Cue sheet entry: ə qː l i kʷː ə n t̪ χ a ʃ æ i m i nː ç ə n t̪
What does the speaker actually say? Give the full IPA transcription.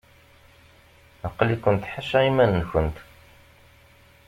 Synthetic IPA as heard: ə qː l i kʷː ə n t̪ ħ a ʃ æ i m æ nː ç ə n t̪